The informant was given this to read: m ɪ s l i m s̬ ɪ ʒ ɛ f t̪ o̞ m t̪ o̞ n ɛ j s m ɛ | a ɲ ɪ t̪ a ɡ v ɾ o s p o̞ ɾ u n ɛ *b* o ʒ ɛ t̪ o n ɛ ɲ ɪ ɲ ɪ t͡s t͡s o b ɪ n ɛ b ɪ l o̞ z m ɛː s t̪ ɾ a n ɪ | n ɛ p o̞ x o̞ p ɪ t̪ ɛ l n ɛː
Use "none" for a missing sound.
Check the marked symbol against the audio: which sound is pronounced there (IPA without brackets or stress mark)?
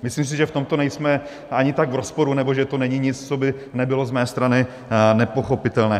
b